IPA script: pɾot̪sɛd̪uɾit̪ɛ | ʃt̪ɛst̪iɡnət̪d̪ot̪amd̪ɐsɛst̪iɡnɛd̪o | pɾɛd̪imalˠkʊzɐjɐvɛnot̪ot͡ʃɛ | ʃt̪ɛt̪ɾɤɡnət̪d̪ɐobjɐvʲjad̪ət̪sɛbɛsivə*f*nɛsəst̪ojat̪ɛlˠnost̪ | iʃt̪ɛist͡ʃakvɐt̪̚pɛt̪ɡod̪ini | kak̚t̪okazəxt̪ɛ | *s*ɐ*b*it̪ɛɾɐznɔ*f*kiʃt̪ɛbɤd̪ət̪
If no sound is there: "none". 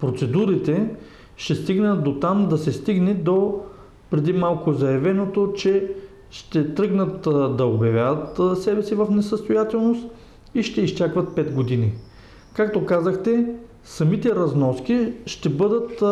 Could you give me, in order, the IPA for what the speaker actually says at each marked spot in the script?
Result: f, s, m, s

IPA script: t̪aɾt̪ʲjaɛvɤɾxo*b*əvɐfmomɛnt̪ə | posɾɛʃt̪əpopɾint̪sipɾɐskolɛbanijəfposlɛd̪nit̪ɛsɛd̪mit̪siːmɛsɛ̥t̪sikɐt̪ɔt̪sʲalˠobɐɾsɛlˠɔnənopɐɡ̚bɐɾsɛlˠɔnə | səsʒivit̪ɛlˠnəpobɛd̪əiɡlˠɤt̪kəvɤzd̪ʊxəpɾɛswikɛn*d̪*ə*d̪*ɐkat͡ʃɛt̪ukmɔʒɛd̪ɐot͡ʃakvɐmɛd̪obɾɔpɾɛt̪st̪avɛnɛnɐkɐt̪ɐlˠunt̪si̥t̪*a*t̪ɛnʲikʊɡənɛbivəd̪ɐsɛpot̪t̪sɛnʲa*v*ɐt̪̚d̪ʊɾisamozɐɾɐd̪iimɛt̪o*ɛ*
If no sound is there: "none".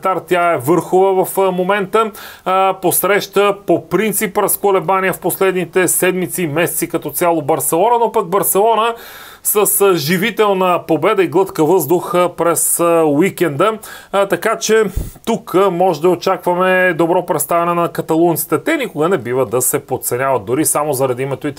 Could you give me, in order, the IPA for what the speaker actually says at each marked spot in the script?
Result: v, d̪, t̪, ɛ, v, i

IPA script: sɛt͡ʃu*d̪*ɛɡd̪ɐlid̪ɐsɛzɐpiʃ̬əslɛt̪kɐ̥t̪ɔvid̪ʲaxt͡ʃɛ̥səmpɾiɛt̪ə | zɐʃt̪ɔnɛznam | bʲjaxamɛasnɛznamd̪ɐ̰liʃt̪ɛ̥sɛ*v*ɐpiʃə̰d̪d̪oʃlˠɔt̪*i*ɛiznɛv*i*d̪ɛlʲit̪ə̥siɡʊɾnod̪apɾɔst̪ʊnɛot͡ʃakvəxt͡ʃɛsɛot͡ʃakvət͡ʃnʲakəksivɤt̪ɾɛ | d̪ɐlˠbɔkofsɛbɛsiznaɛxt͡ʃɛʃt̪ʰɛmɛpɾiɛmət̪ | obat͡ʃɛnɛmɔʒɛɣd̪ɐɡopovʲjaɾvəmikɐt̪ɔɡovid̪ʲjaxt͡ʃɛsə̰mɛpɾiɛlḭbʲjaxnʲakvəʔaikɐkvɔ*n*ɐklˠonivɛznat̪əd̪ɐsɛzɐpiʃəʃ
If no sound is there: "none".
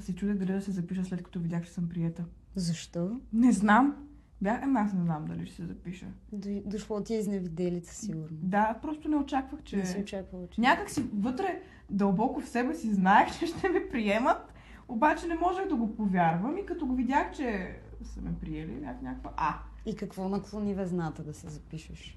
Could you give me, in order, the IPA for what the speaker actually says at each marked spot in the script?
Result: d̪, z, i, i, n

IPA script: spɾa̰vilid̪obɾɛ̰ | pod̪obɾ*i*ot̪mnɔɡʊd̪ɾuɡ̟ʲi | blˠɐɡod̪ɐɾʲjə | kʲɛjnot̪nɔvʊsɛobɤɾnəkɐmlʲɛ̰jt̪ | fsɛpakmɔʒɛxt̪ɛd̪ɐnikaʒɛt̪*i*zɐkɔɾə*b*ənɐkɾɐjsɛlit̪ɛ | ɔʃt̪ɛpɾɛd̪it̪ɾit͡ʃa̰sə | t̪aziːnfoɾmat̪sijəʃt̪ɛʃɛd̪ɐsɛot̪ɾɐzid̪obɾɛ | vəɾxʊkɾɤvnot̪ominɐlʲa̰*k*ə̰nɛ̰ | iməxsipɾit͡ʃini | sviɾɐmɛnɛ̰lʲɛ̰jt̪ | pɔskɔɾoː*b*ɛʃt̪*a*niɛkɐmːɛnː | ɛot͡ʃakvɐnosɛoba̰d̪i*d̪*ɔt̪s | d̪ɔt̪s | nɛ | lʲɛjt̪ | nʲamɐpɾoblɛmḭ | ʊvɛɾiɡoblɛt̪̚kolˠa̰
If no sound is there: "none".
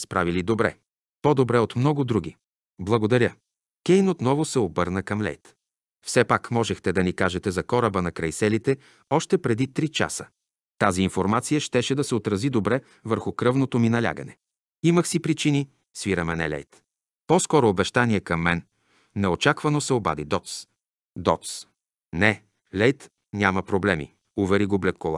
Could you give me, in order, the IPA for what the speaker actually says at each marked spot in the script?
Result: ɛ, ɛ, b, ɡ, b, a, d̪

